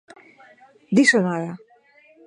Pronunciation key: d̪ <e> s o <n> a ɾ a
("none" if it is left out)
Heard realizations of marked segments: i, n

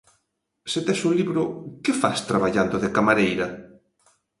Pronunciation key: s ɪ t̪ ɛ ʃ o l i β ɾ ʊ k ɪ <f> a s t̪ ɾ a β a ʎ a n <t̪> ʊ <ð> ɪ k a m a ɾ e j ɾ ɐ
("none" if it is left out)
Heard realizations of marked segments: f, d̪, ð

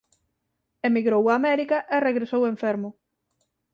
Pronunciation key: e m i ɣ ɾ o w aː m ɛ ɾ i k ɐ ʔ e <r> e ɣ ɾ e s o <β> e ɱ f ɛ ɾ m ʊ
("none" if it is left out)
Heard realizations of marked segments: r, w

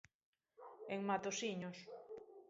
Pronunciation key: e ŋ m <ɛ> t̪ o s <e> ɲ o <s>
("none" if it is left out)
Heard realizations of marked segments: a, i, s

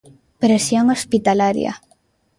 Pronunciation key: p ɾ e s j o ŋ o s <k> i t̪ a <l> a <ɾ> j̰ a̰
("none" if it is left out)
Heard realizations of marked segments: p, l, ɾ

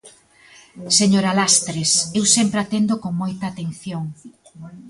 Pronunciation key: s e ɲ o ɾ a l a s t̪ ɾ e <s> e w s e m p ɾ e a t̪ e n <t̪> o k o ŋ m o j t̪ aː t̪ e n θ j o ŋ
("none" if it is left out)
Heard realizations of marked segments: s, d̪

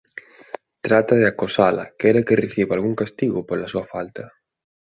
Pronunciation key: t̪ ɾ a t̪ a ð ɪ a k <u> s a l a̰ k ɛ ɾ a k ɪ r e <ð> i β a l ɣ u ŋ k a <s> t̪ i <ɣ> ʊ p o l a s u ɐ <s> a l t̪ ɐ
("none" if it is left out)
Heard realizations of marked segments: o, θ, s, ɣ, f

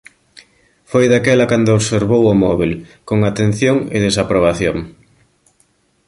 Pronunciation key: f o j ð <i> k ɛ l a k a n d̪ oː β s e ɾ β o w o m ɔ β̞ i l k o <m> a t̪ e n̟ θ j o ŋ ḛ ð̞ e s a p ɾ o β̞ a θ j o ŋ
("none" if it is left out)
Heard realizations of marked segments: a, ŋ

